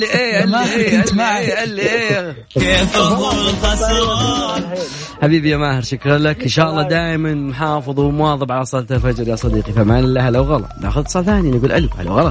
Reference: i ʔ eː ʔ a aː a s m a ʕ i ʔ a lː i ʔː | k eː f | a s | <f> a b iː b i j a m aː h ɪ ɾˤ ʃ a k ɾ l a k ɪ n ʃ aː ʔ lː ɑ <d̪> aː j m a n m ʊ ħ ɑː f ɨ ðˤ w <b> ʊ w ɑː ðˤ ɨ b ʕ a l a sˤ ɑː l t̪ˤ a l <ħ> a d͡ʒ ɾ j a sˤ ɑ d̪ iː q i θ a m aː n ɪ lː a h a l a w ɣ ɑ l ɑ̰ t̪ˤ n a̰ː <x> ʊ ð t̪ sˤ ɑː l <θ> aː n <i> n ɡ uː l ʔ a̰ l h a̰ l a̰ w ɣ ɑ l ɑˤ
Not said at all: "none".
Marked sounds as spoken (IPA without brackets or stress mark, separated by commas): ħ, d̪, m, f, x, θ, i